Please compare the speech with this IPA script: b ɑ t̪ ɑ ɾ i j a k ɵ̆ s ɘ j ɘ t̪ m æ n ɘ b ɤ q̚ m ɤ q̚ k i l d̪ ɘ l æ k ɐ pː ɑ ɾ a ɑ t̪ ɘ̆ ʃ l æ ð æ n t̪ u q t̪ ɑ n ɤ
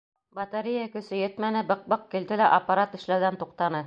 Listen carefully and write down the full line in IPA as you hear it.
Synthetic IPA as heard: b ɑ t̪ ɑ ɾ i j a k ɵ̆ s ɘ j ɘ t̪ m æ n ɘ b ɤ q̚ b ɤ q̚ k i l d̪ ɘ l æ ʔ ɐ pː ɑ ɾ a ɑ t̪ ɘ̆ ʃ l æ ð æ n t̪ u q t̪ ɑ n ɤ